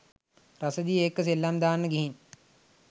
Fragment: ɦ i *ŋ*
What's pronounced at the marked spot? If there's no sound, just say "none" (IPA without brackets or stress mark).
n